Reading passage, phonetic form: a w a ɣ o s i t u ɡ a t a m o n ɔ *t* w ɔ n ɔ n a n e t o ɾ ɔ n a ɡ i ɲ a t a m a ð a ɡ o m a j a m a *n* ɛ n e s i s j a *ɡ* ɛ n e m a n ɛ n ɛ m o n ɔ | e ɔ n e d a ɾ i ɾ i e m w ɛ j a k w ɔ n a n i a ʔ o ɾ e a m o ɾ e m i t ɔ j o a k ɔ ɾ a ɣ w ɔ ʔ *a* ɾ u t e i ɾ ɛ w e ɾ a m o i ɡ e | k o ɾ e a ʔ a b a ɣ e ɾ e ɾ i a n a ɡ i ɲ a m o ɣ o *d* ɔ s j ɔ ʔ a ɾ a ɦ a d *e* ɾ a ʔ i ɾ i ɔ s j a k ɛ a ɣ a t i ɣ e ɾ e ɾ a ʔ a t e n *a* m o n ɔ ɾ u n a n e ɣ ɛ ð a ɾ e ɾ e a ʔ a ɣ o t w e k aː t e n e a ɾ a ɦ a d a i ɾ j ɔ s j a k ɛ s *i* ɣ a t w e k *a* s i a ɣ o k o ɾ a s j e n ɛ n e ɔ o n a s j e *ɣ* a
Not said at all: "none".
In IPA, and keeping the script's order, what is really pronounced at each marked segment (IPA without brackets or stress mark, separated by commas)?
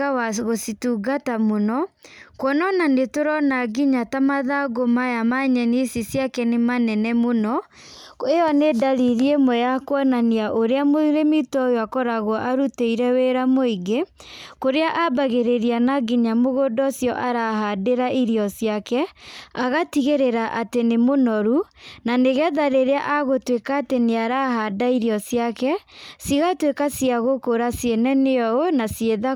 k, ɲ, k, a, d, e, e, i, a, ð